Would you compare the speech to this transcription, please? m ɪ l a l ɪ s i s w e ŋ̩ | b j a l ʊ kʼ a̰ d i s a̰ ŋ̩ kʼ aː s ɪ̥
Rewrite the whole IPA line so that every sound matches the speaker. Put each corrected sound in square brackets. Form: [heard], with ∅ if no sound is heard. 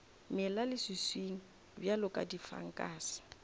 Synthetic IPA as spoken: m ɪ l a l ɪ s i s w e ŋ̩ | b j a l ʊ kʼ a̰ d i [f] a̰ ŋ̩ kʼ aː s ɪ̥